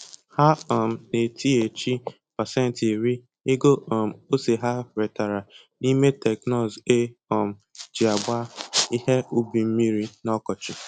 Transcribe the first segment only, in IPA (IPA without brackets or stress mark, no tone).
h